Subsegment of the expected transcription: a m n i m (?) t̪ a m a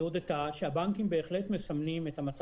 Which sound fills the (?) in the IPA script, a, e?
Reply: e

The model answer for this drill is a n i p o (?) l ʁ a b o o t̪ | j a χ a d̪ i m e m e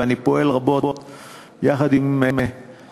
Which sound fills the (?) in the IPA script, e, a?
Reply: e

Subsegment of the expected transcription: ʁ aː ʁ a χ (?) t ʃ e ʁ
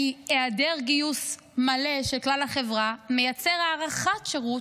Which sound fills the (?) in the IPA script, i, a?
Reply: a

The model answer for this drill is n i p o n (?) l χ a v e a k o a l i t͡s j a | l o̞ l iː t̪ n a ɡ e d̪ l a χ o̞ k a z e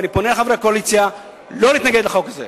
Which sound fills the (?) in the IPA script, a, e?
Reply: e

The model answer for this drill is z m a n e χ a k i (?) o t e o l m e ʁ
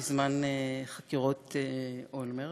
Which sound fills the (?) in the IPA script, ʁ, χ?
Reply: ʁ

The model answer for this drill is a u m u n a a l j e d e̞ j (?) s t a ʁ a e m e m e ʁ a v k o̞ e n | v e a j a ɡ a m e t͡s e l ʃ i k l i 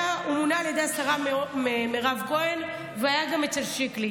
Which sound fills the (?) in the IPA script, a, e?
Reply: a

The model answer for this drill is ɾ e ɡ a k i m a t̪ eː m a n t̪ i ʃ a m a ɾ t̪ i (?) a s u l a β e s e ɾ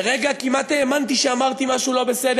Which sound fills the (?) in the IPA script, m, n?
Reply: m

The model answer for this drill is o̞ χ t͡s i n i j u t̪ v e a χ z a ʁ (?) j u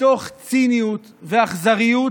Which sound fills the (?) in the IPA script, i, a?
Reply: i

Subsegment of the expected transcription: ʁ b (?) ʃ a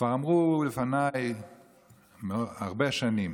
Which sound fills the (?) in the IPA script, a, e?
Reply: e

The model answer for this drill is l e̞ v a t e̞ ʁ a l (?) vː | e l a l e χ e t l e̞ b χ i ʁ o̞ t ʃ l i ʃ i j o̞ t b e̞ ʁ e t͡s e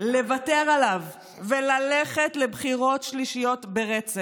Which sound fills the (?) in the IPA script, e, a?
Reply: a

